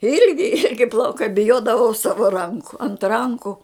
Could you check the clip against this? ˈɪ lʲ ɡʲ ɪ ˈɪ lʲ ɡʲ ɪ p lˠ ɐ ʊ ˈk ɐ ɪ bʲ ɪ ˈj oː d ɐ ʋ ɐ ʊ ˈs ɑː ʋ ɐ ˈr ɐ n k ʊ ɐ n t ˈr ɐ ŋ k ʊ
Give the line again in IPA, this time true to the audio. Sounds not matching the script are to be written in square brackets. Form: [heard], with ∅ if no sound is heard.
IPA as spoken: ˈɪ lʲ ɡʲ ɪ ˈɪ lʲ ɡʲ ɪ p lˠ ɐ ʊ ˈk ɐ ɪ bʲ ɪ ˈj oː d ɐ ʋ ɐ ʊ ˈs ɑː ʋ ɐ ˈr ɐ [ŋ] k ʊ ɐ n t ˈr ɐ ŋ k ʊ